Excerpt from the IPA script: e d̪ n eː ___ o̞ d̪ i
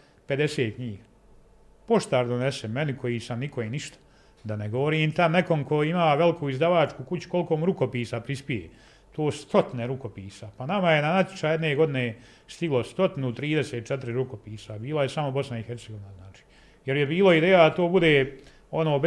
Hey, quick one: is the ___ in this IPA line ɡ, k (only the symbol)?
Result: ɡ